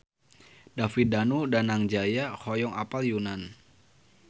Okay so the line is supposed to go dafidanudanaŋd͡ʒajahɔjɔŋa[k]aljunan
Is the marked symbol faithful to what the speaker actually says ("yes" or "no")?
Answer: no